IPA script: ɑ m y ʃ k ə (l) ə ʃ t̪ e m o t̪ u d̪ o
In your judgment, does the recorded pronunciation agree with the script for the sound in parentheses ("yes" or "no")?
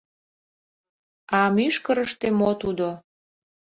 no